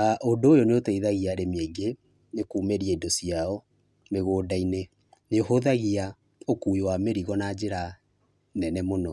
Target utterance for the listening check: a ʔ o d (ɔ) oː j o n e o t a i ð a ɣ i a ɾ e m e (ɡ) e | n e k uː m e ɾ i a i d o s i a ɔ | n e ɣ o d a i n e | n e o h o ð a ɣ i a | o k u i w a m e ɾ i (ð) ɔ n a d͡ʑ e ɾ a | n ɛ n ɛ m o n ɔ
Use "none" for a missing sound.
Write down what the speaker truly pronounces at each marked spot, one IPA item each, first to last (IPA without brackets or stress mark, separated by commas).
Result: o, ɡ, ɣ